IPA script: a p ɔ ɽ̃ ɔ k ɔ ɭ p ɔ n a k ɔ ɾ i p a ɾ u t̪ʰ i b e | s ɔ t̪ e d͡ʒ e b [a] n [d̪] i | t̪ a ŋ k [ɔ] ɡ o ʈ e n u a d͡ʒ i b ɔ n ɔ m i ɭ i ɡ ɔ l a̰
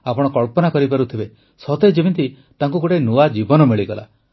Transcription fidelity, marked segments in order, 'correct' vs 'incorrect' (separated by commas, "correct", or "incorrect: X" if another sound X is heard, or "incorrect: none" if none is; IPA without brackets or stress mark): incorrect: i, incorrect: t̪, incorrect: u